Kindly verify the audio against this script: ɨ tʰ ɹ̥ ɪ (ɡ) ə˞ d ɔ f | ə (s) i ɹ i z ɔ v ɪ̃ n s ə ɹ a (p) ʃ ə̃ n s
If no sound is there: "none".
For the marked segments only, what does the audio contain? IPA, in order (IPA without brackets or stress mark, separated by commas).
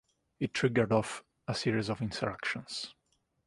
ɡ, s, k